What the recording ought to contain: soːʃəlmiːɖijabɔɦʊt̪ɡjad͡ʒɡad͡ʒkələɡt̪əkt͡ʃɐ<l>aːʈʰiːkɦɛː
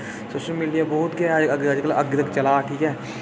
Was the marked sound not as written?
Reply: no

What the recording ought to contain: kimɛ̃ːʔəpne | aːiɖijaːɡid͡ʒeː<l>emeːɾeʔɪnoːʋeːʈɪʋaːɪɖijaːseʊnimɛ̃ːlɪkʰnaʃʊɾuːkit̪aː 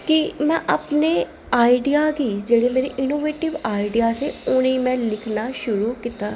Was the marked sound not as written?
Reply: yes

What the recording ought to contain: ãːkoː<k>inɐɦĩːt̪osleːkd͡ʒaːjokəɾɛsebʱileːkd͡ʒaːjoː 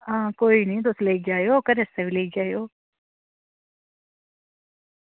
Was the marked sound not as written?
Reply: yes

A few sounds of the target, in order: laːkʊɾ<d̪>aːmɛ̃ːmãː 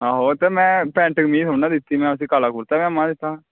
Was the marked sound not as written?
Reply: yes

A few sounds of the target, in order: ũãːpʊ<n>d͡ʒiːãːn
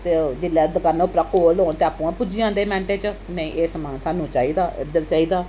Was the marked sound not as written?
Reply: yes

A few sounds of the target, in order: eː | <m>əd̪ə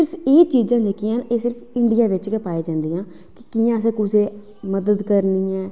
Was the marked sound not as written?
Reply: no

